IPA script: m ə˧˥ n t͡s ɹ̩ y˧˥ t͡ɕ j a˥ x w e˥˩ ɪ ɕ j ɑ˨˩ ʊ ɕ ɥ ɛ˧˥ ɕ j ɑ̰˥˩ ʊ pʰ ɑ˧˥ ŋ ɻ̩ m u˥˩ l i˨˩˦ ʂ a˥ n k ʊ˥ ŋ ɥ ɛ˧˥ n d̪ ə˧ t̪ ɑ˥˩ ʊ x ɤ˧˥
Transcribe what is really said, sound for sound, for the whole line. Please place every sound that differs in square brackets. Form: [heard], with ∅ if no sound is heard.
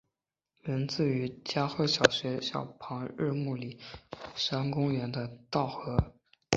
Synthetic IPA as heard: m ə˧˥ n t͡s ɹ̩ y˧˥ t͡ɕ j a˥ x w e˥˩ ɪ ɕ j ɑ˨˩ ʊ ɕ ɥ ɛ˧˥ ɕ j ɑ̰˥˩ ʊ pʰ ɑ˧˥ ŋ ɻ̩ m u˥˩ l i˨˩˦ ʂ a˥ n k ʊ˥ ŋ ɥ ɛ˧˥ n d̪ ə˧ t̪ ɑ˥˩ ʊ x ɤ˧˥